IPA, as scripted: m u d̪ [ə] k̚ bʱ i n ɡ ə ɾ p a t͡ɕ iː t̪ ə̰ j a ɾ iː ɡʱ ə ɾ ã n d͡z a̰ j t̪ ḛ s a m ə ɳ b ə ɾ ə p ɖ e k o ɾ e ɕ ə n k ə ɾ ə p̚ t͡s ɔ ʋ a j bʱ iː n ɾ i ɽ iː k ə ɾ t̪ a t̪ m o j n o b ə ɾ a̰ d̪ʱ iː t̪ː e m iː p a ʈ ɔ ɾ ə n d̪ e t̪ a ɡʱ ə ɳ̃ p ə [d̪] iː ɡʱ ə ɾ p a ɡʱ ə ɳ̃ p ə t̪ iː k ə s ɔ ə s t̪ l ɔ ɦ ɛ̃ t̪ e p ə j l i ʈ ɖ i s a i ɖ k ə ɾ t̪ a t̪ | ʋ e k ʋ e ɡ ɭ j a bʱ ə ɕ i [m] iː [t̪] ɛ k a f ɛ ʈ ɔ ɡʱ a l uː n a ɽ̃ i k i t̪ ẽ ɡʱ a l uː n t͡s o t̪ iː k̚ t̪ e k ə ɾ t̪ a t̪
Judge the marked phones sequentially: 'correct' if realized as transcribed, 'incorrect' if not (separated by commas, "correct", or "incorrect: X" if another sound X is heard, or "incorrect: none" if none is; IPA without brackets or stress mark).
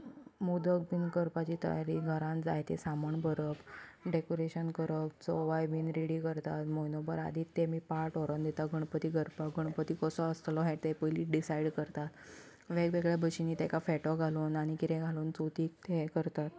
correct, incorrect: t̪, incorrect: n, correct